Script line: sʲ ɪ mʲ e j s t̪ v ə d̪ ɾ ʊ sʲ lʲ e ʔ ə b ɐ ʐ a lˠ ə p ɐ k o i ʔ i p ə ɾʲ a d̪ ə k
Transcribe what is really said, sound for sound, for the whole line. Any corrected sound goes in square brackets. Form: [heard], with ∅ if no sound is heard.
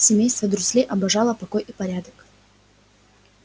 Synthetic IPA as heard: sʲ ɪ mʲ e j s t̪ v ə d̪ ɾ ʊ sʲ lʲ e ʔ [ɐ] b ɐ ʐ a lˠ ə p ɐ k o [j] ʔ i p [ɐ] ɾʲ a d̪ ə k